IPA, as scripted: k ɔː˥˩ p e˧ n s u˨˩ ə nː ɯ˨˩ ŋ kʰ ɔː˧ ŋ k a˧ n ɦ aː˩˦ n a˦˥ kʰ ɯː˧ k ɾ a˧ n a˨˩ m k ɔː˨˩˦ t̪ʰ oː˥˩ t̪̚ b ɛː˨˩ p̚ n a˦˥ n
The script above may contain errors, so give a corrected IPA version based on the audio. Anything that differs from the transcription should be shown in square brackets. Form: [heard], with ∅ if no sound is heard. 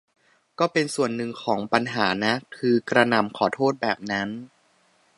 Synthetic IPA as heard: k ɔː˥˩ p e˧ n s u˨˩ ə nː ɯ˨˩ ŋ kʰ [ɔː˩˦] ŋ [p] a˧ n ɦ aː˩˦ n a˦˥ kʰ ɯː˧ k ɾ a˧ n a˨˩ m [kʰ] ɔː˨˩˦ t̪ʰ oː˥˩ t̪̚ b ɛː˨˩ p̚ n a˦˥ n